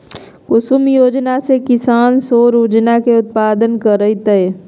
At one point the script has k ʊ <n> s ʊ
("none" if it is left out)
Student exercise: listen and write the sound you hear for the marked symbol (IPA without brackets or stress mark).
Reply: none